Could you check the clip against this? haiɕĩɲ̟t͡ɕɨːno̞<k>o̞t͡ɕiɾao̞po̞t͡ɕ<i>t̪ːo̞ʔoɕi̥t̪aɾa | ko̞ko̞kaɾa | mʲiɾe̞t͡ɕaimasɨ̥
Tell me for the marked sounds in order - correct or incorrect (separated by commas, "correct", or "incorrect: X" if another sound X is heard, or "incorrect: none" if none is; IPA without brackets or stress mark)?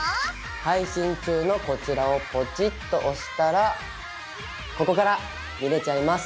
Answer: correct, correct